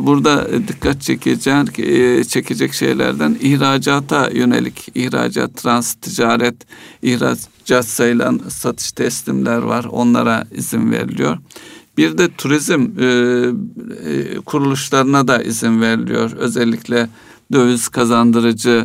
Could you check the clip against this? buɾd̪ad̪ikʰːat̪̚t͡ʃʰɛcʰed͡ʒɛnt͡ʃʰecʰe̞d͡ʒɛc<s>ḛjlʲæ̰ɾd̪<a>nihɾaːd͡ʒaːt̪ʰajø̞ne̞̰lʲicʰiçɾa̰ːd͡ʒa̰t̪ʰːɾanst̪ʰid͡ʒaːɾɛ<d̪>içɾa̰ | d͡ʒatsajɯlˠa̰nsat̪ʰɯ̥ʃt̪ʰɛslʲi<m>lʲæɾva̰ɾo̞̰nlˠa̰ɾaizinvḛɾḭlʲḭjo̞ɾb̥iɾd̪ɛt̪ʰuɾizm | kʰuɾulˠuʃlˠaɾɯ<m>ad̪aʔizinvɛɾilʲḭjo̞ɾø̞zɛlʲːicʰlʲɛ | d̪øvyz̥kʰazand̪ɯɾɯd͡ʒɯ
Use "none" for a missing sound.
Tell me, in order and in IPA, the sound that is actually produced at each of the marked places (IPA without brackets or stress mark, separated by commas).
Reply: ʃ, æ, t̪, m, n